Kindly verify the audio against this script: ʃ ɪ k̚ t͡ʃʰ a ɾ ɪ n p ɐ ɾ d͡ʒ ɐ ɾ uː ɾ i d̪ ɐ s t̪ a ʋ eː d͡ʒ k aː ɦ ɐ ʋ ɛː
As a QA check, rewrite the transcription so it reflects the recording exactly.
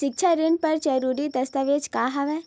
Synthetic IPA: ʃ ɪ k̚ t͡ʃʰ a ɾ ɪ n p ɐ ɾ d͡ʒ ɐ ɾ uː ɾ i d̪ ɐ s t̪ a ʋ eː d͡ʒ k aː ɦ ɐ ʋ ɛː